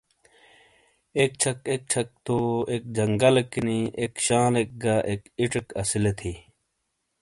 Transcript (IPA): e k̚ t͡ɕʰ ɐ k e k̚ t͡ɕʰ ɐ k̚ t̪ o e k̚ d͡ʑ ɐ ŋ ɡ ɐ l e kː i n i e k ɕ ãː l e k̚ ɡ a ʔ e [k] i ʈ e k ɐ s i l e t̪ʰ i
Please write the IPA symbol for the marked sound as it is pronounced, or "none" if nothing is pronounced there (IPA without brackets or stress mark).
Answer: k